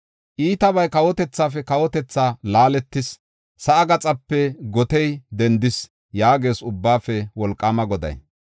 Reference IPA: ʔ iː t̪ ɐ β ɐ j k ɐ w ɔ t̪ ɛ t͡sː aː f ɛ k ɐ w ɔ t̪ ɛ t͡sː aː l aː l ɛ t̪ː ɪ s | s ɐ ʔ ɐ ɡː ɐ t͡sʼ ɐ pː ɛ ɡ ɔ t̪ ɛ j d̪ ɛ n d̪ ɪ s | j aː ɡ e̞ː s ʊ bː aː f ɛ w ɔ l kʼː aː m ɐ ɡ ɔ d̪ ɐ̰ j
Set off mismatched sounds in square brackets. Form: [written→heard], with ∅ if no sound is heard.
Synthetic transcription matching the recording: ʔ iː t̪ ɐ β ɐ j k ɐ w ɔ t̪ ɛ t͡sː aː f ɛ k ɐ w ɔ t̪ ɛ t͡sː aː l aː l ɛ t̪ː ɪ s | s ɐ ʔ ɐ [ɡː→ɡ] ɐ t͡sʼ ɐ pː ɛ ɡ ɔ t̪ ɛ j d̪ ɛ n d̪ ɪ s | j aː ɡ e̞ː s ʊ bː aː f ɛ w ɔ l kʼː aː m ɐ ɡ ɔ d̪ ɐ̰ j